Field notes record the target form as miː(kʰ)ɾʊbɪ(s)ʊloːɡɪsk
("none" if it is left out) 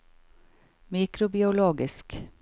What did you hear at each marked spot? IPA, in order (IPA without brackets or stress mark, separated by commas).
k, none